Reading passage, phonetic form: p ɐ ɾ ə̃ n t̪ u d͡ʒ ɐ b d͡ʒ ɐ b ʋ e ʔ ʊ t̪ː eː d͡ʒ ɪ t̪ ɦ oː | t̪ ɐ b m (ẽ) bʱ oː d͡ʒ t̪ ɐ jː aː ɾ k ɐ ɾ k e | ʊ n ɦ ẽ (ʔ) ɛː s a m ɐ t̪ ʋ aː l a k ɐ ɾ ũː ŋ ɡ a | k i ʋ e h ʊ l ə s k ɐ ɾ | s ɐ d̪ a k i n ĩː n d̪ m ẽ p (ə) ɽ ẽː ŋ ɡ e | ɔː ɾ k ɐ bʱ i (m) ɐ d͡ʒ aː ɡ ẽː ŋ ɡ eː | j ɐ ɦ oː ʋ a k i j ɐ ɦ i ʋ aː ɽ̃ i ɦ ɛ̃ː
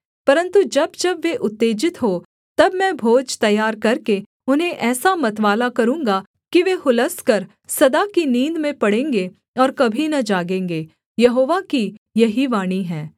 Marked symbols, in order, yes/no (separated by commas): no, yes, no, no